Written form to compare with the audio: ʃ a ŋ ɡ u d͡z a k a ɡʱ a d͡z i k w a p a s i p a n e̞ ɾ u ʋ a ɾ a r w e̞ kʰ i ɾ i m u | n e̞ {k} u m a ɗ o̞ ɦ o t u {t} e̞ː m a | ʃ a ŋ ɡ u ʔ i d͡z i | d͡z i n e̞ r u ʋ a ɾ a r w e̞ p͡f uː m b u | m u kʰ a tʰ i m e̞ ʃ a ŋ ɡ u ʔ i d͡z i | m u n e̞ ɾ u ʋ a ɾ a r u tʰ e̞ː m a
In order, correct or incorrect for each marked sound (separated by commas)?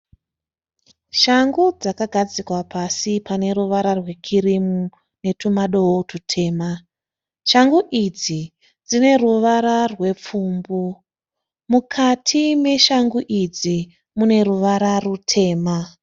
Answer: incorrect, incorrect